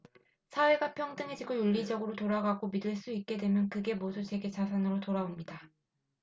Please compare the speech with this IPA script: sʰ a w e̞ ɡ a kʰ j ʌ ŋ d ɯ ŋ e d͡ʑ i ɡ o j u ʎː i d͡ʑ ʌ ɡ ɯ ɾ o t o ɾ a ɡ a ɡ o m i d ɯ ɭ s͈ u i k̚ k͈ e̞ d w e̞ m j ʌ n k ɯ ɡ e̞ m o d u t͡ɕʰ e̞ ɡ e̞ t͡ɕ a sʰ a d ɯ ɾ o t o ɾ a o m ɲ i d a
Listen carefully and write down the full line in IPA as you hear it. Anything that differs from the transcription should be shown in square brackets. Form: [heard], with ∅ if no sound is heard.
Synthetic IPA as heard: sʰ a w e̞ ɡ a [pʰ] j ʌ ŋ d ɯ ŋ e d͡ʑ i ɡ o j u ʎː i d͡ʑ ʌ ɡ ɯ ɾ o t o ɾ a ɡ a ɡ o m i d ɯ ɭ s͈ u i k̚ k͈ e̞ d w e̞ m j ʌ n k ɯ ɡ e̞ m o d u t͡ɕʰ e̞ ɡ e̞ t͡ɕ a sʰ a [n] ɯ ɾ o t o ɾ a o m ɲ i d a